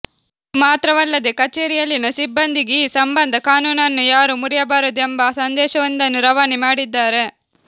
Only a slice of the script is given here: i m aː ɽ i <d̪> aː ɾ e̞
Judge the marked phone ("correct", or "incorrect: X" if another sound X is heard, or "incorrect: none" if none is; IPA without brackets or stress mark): incorrect: d̪ː